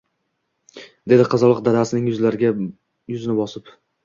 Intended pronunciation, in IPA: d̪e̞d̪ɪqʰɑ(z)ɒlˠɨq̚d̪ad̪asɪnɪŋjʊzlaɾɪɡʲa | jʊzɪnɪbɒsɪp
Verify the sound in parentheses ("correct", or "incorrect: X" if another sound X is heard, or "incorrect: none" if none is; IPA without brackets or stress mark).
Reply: correct